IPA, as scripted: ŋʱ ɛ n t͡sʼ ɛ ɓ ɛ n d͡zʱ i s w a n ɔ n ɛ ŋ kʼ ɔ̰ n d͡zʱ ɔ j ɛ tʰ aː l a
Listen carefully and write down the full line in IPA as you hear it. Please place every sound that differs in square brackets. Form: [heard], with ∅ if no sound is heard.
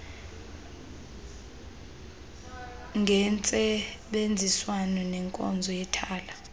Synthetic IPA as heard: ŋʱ ɛ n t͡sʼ ɛ ɓ [e] n d͡zʱ i s w a n ɔ n ɛ ŋ kʼ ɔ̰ n d͡zʱ ɔ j ɛ tʰ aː l a